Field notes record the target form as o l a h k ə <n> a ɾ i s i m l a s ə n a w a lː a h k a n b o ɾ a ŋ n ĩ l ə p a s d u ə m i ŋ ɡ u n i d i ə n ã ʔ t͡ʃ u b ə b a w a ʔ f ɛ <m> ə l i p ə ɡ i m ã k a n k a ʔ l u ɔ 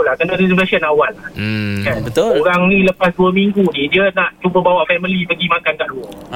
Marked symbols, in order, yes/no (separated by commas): yes, yes